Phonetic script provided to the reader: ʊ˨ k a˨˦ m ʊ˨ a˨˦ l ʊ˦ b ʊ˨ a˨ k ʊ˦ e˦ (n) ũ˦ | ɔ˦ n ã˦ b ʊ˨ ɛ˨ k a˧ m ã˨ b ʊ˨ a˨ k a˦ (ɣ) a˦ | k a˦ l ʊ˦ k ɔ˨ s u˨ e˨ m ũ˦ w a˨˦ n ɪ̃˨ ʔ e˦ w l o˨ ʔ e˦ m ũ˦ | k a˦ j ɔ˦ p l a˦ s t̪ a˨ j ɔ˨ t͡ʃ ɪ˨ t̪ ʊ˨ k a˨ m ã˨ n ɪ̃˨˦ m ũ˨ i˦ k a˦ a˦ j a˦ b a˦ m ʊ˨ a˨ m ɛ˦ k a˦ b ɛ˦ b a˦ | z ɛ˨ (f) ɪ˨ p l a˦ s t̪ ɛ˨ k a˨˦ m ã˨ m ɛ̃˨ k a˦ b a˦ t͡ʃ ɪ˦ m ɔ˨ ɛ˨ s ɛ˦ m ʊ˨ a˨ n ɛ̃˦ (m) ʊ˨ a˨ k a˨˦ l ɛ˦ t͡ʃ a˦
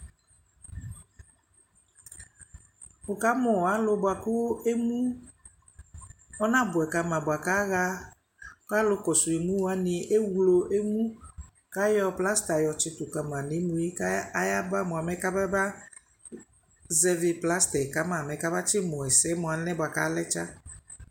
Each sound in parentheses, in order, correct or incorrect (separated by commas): incorrect, correct, incorrect, incorrect